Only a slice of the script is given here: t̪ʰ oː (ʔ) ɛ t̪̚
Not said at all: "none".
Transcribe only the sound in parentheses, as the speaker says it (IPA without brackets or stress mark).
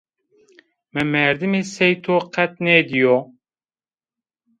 q